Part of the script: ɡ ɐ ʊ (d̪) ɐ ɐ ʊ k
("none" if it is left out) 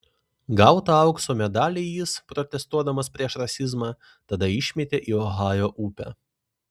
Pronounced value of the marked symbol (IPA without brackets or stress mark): t̪